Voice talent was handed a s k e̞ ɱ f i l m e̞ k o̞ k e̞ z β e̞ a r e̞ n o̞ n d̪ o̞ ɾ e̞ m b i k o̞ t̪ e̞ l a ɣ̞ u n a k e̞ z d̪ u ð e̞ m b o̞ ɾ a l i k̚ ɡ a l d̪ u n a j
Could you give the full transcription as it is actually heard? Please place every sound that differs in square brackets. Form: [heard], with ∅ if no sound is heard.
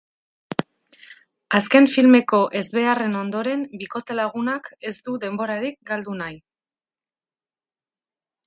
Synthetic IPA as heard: a s k e̞ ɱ f i l m e̞ k o̞ [ʔ] e̞ z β e̞ a r e̞ n o̞ n d̪ o̞ ɾ e̞ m b i k o̞ t̪ e̞ l a ɣ̞ u n a k e̞ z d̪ u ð e̞ m b o̞ ɾ a [ɾ] i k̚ ɡ a l d̪ u n a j